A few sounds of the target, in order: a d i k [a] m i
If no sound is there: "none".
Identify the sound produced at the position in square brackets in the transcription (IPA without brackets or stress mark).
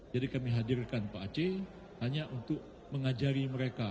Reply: a